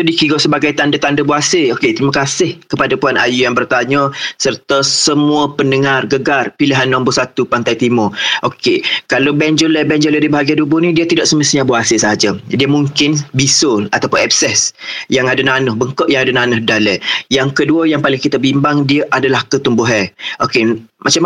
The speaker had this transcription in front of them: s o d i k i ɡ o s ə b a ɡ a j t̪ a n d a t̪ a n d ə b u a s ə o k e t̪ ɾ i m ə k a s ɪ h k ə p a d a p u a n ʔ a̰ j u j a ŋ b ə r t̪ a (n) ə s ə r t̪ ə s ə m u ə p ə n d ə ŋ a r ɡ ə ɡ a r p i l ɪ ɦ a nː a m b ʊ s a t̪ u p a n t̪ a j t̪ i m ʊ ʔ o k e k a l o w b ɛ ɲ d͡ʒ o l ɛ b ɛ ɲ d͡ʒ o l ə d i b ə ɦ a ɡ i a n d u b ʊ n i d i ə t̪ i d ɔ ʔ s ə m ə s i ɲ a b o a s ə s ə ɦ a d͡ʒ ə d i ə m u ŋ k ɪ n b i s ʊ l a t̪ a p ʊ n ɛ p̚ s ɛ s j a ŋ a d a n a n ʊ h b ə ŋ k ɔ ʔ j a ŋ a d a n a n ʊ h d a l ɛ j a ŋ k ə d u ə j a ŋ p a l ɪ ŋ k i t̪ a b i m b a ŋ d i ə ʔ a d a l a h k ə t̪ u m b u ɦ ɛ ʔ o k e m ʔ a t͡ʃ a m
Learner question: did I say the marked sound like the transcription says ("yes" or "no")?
no